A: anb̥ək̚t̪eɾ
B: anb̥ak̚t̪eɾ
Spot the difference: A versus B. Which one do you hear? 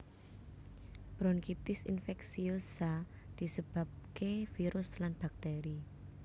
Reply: B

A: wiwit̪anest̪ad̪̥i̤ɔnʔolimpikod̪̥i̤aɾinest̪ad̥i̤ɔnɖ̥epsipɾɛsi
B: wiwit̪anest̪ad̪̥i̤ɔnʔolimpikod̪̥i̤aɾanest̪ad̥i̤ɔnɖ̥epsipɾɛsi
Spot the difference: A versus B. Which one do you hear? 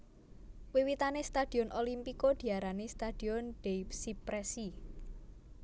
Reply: B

